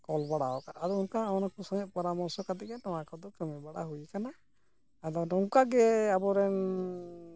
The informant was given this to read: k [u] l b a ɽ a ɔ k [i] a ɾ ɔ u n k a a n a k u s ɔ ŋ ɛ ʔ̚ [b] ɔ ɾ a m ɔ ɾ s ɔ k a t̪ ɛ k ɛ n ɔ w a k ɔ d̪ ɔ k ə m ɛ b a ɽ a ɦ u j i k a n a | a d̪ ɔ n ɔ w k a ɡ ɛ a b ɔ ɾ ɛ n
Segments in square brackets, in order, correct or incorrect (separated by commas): incorrect, incorrect, incorrect